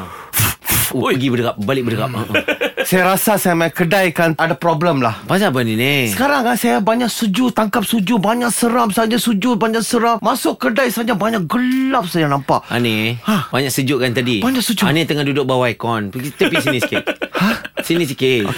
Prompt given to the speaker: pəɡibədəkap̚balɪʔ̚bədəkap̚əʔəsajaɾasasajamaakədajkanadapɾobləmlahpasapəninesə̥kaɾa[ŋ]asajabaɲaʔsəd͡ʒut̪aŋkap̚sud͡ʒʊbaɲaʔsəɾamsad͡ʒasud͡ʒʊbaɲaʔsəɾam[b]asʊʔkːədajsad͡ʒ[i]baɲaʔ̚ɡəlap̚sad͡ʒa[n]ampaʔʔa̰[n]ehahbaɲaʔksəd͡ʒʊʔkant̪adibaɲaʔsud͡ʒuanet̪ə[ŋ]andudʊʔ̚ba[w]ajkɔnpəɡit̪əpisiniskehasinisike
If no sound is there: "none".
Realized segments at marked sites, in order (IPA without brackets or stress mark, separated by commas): ŋ, m, a, n, n, ŋ, w